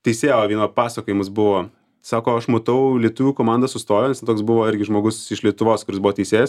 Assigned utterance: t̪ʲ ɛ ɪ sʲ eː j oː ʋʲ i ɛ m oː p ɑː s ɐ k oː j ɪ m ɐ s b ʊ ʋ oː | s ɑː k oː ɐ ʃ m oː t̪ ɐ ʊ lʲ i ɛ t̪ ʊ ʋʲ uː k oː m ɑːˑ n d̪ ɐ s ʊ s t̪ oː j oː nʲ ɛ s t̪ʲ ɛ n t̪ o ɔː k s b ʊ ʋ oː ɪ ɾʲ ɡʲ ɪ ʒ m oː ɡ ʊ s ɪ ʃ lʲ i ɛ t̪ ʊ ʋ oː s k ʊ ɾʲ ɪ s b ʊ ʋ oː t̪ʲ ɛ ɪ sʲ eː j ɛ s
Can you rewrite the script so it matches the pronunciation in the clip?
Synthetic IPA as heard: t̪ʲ ɛ ɪ sʲ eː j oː ʋʲ i ɛ n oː p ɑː s ɐ k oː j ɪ m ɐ s b ʊ ʋ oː | s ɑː k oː ɐ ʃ m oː t̪ ɐ ʊ lʲ i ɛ t̪ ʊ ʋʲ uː k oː m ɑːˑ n d̪ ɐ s ʊ s t̪ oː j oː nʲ ɛ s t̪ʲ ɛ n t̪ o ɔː k s b ʊ ʋ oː ɪ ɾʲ ɡʲ ɪ ʒ m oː ɡ ʊ s ɪ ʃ lʲ i ɛ t̪ ʊ ʋ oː s k ʊ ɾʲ ɪ s b ʊ ʋ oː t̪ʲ ɛ ɪ sʲ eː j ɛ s